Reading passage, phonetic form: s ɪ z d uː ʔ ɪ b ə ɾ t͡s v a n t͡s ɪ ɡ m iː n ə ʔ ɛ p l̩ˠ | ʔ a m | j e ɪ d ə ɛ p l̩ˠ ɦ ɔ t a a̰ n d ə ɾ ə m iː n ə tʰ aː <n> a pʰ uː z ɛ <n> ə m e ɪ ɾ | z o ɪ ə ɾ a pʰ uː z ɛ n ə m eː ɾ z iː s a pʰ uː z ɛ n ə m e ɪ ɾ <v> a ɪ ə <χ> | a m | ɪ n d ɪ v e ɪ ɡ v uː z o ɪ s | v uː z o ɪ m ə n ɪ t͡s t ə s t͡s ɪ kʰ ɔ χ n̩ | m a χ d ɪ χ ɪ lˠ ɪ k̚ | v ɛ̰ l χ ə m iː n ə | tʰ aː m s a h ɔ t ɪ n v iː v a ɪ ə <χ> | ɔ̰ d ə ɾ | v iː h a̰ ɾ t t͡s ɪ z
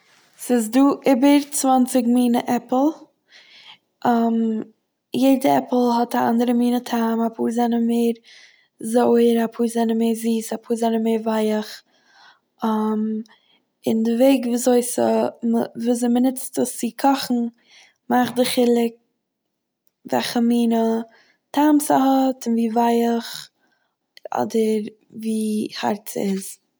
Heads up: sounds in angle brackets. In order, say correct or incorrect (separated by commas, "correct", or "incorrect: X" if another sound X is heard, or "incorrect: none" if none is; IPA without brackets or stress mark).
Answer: incorrect: m, correct, correct, correct, correct